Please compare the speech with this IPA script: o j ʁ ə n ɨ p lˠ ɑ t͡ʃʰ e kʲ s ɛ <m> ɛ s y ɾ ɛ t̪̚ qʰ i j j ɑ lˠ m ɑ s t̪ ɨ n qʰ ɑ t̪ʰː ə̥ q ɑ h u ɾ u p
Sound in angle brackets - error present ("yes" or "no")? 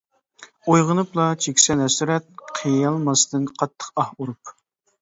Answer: yes